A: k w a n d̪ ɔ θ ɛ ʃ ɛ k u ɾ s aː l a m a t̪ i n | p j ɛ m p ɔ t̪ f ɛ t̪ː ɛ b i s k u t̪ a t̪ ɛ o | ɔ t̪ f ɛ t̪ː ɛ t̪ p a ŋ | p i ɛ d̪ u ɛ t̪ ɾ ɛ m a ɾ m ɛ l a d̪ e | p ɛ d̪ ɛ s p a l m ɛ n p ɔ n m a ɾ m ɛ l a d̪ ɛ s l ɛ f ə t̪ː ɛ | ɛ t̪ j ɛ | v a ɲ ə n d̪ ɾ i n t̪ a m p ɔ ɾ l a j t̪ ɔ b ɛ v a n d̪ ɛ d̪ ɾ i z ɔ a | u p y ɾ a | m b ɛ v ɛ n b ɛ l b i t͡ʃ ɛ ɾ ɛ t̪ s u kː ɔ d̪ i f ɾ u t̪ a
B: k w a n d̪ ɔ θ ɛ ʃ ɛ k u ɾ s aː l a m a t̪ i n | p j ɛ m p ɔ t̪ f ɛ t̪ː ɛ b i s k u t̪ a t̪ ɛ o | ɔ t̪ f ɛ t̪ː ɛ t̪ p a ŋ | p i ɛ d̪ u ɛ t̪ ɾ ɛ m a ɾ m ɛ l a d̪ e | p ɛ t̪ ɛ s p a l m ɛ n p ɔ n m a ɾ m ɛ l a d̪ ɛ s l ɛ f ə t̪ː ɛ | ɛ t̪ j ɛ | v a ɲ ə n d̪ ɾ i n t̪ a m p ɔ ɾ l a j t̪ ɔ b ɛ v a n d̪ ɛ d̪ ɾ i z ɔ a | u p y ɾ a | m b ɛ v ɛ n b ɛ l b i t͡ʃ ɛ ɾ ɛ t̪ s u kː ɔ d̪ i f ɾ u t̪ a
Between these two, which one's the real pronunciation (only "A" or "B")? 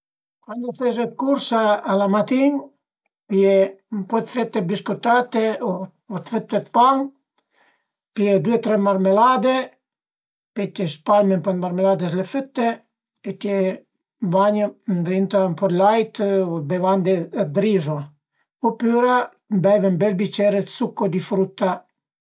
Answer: B